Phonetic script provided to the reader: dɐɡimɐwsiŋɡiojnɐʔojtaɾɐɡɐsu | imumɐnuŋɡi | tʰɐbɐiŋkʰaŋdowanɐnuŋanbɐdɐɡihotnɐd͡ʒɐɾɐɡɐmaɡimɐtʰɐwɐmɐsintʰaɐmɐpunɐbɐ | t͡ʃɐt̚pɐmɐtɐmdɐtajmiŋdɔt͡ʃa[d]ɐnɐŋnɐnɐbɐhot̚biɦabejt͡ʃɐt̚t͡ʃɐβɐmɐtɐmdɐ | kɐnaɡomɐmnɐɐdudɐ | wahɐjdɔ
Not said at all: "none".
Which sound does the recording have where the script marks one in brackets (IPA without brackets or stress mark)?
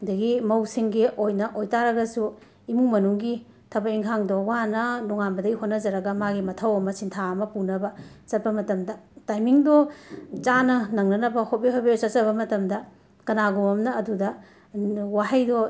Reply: n